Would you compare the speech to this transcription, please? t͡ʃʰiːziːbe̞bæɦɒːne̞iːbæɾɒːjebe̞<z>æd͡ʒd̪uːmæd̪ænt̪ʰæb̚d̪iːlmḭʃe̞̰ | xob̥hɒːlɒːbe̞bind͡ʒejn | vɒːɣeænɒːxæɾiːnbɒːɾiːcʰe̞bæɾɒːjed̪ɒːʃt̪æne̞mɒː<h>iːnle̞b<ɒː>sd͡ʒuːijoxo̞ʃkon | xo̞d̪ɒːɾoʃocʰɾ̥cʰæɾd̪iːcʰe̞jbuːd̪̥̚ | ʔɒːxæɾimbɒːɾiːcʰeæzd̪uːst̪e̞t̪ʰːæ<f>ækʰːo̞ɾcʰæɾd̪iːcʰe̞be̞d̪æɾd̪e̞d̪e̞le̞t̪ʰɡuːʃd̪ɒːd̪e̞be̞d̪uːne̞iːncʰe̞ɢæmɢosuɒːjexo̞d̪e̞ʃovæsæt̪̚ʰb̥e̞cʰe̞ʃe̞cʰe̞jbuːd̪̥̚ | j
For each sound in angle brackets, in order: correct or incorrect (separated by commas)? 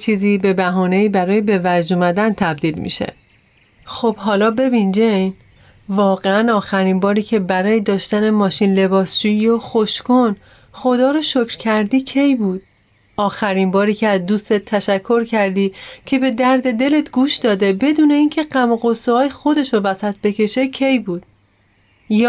incorrect, incorrect, correct, incorrect